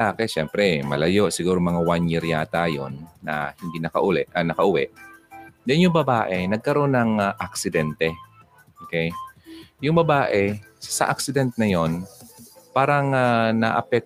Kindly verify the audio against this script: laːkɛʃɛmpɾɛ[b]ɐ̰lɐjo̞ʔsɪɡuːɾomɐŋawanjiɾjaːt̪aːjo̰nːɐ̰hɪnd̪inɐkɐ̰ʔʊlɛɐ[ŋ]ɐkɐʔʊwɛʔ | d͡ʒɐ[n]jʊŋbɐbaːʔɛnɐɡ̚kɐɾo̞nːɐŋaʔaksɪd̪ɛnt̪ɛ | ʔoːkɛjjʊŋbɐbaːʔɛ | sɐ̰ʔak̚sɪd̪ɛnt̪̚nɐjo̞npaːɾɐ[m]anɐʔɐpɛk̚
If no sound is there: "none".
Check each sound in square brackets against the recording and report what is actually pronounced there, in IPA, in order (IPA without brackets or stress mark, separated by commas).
m, n, n, ŋ